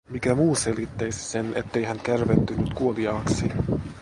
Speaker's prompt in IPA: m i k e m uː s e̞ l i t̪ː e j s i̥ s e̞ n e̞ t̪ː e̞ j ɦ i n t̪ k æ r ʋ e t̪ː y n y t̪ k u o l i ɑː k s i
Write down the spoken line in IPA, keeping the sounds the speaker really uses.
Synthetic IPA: m i k æ m uː s e̞ l i t̪ː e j s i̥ s e̞ n e̞ t̪ː e̞ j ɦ æ n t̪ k æ r ʋ e t̪ː y n y t̪ k u o l i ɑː k s i